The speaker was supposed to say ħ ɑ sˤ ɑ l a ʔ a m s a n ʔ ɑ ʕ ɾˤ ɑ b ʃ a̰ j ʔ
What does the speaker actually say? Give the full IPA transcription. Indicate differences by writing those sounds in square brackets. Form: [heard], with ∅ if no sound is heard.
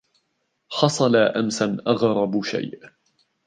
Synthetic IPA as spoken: ħ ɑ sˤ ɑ l a ʔ a m s a n ʔ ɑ [ɣ] ɾˤ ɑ b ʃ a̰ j ʔ